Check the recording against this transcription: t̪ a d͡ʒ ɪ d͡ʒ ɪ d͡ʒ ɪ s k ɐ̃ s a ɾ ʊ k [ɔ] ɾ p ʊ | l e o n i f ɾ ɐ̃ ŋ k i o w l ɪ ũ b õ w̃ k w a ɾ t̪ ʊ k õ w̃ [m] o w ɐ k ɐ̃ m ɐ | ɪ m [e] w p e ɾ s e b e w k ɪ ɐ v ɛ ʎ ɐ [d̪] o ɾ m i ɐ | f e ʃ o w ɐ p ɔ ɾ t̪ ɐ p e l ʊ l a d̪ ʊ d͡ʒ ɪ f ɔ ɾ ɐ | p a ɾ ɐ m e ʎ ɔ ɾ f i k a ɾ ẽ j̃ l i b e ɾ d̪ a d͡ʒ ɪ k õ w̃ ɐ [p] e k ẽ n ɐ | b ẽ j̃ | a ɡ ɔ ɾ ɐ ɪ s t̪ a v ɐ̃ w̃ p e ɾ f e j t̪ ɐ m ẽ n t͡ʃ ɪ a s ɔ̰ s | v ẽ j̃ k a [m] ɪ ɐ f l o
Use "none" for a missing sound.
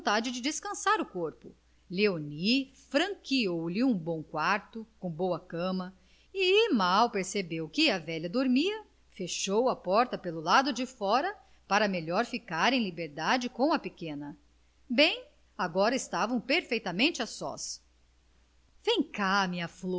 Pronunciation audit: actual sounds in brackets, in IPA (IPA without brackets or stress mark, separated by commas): o, b, a, d̪, p, m